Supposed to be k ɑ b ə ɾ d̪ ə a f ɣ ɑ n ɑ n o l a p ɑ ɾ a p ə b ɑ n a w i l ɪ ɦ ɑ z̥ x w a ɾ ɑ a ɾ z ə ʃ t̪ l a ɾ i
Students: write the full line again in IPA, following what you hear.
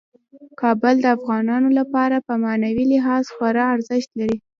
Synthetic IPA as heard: k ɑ b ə l d̪ ə a f ɣ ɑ n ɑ n o l a p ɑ ɾ a p ə m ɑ n a w i l ɪ ɦ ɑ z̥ x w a ɾ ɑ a ɾ z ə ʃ t̪ l a ɾ i